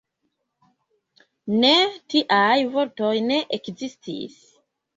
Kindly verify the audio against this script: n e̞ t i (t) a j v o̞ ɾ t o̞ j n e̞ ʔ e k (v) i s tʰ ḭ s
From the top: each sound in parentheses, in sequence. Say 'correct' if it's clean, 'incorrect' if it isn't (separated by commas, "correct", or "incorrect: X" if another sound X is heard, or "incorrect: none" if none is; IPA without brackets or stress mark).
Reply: incorrect: ʔ, incorrect: z